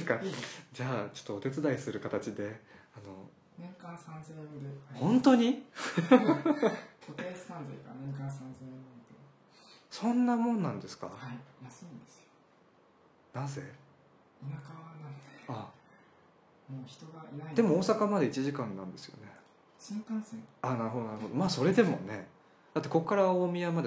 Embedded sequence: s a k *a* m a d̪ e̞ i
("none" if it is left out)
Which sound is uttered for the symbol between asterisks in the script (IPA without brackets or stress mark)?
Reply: a